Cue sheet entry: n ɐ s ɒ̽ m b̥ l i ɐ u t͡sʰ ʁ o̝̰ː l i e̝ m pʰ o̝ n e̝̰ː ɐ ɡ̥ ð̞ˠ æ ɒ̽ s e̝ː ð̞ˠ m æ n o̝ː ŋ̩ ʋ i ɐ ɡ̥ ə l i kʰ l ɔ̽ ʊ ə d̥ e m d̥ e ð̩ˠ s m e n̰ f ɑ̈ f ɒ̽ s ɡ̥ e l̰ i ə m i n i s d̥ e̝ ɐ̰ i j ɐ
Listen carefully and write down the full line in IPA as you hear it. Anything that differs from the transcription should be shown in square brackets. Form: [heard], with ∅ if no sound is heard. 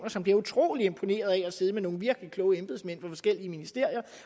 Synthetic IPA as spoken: n ɐ s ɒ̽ m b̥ l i ɐ u t͡sʰ ʁ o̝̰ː l i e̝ m pʰ o̝ n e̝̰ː ɐ [∅] ð̞ˠ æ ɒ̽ s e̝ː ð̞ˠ m [e] n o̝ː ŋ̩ ʋ i ɐ ɡ̥ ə l i kʰ l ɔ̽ ʊ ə [∅] e m [b̥] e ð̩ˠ s m e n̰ f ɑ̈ f ɒ̽ s ɡ̥ e l̰ i ə m i n i s d̥ e̝ ɐ̰ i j ɐ